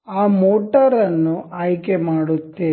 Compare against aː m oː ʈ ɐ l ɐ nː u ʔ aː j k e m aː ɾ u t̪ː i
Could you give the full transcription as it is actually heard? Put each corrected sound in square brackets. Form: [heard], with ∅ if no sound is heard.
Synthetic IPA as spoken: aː m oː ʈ ɐ [ɾ] ɐ nː u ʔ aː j k e m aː [ɽ] u t̪ː [e]